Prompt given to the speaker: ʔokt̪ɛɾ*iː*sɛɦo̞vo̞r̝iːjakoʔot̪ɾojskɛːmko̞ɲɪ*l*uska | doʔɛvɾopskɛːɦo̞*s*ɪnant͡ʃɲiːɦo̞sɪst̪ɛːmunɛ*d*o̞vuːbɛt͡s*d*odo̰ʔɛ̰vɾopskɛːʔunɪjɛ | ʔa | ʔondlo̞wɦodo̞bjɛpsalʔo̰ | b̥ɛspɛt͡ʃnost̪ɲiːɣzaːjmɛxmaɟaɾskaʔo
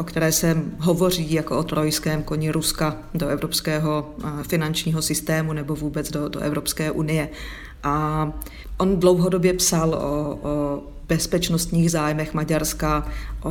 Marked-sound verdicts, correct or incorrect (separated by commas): incorrect, incorrect, incorrect, incorrect, correct